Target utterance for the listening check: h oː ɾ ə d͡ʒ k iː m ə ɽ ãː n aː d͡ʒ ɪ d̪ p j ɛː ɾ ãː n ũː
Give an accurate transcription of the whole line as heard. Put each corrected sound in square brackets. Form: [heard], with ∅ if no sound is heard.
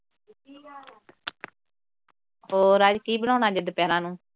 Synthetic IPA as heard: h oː ɾ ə d͡ʒ k iː [b] ə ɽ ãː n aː d͡ʒ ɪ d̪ p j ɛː ɾ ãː n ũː